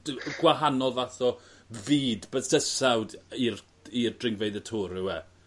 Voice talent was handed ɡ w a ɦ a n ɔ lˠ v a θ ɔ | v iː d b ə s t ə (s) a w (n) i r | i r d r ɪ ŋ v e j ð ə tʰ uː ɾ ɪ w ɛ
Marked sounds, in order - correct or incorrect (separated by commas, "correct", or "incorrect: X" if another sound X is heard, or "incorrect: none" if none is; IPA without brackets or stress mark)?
correct, incorrect: d